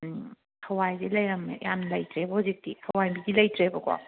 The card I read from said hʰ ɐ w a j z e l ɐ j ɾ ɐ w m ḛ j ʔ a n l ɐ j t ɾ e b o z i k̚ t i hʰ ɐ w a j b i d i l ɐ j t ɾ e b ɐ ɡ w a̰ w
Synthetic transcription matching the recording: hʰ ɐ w a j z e l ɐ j ɾ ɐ m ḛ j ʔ a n l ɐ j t ɾ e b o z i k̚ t i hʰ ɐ w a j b i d i l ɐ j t ɾ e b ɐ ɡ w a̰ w